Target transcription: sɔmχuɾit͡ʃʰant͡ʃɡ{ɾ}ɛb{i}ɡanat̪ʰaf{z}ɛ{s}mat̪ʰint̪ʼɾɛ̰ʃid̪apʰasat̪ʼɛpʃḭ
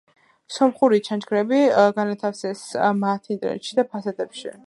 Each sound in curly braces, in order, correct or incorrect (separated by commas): correct, correct, incorrect, correct